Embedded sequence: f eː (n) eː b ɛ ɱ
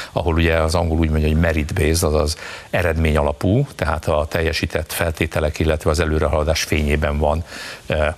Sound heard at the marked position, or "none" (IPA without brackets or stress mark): ɲ